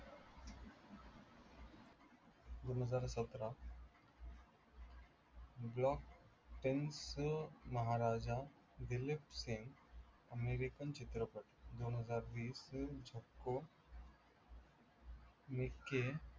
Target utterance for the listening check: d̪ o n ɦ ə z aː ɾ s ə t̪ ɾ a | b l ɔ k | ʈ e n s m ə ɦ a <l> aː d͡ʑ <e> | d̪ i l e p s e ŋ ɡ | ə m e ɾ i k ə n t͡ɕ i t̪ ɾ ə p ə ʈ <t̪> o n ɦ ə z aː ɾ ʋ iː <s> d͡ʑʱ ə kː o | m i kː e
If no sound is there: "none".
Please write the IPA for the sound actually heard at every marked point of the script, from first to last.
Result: ɾ, a, d̪, s

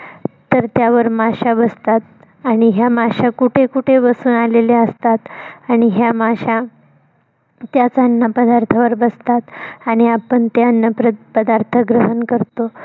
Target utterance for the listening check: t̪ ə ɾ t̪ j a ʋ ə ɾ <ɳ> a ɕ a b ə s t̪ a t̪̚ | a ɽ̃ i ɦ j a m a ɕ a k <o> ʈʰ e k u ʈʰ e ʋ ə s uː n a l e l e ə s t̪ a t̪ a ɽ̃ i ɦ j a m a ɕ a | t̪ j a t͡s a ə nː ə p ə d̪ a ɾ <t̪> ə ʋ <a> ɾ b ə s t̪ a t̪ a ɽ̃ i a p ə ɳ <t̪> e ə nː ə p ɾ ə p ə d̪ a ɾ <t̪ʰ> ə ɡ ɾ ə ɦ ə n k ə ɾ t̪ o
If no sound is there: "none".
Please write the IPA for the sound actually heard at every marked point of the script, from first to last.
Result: m, u, t̪ʰ, ə, t̪, t̪ʰ

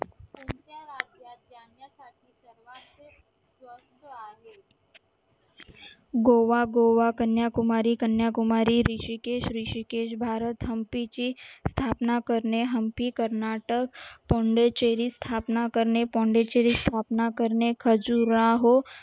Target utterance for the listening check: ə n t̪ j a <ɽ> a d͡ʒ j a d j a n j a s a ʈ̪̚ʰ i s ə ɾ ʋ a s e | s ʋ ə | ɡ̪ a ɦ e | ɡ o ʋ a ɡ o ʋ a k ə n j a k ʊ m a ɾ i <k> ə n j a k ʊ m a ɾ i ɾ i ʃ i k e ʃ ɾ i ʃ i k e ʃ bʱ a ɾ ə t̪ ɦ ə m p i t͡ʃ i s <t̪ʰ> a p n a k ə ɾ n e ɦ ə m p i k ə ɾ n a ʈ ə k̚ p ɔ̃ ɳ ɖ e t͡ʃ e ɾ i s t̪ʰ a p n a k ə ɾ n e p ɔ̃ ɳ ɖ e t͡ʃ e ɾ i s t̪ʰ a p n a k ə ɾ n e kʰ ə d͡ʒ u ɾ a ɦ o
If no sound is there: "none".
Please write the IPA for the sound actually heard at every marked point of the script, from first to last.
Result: ɾ, k, t̪ʰ

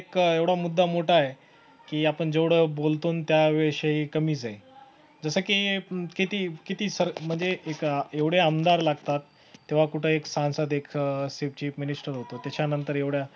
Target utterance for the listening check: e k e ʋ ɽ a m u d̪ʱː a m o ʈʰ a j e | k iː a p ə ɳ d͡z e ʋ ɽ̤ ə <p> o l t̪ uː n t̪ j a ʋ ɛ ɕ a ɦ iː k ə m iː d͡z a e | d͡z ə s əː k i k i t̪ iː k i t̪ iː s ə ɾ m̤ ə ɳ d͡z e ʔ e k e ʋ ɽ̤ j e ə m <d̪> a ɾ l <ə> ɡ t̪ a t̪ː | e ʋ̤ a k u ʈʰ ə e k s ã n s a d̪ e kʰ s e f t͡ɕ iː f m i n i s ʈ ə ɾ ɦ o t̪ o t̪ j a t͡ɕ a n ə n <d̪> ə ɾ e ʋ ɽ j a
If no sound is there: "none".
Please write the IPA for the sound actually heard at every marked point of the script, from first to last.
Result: b, d̪, a, t̪

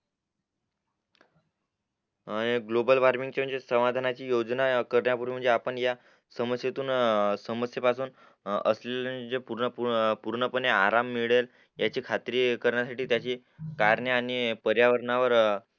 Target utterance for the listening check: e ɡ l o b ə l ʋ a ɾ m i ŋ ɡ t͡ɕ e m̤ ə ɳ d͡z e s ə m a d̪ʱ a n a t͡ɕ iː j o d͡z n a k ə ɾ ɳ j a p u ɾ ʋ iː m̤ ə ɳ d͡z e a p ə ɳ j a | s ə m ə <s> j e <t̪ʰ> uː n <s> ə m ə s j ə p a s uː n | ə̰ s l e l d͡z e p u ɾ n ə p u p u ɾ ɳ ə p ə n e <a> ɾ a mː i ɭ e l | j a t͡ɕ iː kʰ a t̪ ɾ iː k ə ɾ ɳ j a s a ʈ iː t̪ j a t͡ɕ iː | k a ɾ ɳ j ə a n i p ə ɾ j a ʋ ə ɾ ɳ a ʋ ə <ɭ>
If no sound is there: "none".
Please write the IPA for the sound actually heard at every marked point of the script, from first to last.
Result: s, t̪, s, a, ɾ

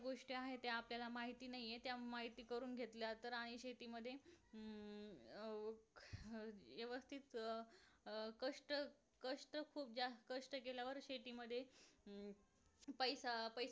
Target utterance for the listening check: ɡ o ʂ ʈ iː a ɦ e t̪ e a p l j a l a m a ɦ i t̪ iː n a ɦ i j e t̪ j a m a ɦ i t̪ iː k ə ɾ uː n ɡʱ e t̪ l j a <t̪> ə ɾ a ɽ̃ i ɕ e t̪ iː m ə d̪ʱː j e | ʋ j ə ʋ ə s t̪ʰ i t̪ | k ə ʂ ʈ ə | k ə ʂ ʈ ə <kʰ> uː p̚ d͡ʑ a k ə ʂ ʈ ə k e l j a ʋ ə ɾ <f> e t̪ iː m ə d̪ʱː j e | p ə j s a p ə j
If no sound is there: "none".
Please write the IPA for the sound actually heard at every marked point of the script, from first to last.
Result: t̪, kʰ, ɕ

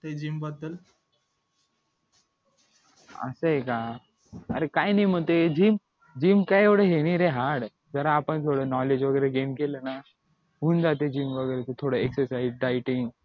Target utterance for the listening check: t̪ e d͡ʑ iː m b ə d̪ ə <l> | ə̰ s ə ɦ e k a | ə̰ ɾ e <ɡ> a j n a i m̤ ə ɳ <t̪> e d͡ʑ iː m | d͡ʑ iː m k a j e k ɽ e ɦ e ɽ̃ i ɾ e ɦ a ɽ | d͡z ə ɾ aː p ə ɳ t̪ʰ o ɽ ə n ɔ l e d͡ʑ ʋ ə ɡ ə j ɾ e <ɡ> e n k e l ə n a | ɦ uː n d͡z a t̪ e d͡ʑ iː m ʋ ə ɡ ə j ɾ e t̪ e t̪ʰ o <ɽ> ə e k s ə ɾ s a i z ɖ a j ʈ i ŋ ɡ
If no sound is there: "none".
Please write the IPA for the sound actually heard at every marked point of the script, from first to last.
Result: l, k, t̪, ɡ, ɽ

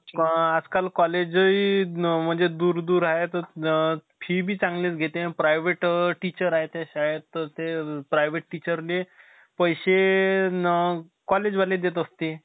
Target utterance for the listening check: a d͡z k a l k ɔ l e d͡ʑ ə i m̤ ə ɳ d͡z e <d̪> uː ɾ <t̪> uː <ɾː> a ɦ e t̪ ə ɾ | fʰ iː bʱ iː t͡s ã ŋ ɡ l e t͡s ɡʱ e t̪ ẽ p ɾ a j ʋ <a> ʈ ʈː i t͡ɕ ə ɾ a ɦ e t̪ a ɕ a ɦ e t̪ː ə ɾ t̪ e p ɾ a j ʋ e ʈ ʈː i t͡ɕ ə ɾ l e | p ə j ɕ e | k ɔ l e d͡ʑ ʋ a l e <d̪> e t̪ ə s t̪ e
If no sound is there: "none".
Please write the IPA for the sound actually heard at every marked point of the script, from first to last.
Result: d̪, d̪, ɾ, e, d̪

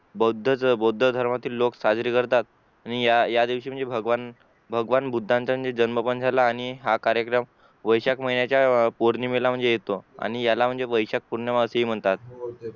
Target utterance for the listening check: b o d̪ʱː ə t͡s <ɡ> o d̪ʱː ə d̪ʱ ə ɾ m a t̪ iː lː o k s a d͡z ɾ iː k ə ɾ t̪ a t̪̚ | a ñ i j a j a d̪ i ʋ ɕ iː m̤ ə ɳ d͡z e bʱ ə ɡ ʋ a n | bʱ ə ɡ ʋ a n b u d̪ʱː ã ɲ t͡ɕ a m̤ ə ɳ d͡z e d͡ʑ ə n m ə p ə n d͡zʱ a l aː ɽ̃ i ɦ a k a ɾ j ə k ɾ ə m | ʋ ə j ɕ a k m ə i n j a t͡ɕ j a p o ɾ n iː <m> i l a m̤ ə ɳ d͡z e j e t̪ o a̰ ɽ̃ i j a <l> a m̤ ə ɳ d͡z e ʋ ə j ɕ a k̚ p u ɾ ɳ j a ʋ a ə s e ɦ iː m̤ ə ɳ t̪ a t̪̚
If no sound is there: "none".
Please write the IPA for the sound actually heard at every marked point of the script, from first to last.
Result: b, m, l

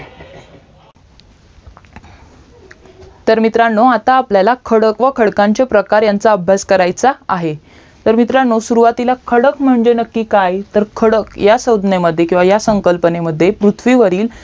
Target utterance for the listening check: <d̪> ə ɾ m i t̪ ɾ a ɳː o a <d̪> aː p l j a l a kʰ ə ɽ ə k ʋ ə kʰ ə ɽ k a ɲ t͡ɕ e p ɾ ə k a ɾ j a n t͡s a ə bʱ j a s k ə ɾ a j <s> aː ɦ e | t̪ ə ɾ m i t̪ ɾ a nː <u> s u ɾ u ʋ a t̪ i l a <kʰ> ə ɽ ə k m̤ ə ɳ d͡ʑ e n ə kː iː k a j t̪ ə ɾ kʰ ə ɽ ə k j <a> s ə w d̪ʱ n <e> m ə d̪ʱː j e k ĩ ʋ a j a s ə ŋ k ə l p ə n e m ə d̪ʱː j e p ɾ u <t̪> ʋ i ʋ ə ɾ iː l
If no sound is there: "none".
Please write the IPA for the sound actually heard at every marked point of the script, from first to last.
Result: t̪, t̪, t͡s, o, kʰ, a, e, t̪ʰ

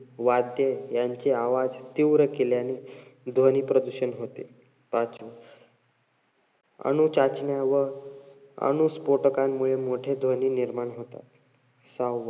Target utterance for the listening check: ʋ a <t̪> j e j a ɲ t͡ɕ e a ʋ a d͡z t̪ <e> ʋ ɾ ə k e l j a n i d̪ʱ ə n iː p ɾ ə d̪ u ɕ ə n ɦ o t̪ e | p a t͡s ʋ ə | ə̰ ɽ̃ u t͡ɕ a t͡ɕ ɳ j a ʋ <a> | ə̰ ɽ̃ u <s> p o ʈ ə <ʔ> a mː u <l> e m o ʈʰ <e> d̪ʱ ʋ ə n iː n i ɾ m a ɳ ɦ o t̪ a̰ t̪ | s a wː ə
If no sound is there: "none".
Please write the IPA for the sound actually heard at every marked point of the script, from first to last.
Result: d̪, i, ə, s, k, ɭ, e

